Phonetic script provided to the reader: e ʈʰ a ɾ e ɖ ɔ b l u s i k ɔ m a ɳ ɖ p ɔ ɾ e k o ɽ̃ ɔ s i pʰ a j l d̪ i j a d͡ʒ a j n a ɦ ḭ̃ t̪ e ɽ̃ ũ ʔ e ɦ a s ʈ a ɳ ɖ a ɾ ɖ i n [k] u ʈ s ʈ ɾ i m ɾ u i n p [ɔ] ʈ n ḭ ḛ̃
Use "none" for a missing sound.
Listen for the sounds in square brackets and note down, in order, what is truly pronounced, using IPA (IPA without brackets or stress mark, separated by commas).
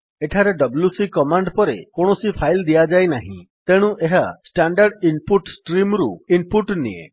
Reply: p, u